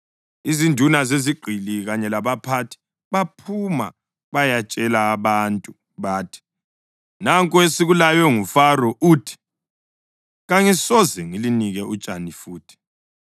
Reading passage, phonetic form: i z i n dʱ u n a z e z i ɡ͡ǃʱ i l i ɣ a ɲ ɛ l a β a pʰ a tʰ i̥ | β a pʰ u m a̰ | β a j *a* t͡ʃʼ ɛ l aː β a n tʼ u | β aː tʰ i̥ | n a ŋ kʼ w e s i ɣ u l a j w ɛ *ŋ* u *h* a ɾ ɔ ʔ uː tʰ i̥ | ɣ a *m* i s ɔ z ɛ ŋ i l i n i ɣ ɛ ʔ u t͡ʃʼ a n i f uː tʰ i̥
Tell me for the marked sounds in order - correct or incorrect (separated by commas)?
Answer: correct, correct, incorrect, incorrect